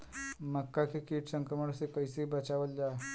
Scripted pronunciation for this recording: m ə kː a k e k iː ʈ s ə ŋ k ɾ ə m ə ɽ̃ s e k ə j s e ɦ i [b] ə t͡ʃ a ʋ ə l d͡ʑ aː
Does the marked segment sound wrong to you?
no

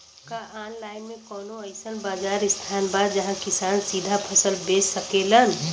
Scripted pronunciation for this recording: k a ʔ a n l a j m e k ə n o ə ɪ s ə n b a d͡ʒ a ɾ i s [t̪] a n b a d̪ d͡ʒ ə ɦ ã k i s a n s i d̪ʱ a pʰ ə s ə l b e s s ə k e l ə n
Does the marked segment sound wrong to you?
yes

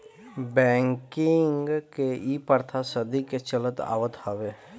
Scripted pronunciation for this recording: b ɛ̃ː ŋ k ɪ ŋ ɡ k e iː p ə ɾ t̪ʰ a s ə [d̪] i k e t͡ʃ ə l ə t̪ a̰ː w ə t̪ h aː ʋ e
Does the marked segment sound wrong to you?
no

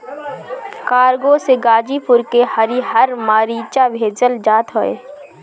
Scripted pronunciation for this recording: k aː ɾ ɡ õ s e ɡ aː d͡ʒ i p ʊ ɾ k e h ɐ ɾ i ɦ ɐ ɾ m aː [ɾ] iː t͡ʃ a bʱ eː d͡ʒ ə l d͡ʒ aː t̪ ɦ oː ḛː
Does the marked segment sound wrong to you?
no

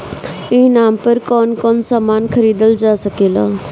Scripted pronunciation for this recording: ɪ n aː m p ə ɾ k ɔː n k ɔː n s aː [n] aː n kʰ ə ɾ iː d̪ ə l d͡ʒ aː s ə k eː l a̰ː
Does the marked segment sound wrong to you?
yes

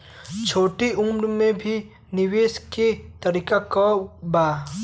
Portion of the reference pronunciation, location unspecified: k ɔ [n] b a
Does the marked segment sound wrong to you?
yes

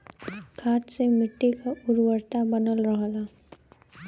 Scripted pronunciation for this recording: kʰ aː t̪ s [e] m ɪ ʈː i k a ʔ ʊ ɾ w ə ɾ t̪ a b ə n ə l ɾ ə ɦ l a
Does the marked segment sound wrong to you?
no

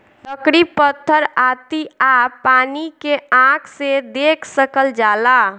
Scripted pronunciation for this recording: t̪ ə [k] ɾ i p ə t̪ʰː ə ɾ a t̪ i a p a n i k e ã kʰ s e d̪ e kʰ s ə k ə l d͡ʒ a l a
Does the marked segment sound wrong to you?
no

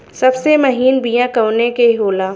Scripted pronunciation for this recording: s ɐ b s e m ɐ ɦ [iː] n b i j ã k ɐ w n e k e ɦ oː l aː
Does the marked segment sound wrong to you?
no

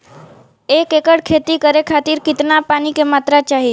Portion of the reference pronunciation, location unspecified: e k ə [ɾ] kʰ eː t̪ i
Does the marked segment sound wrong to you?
yes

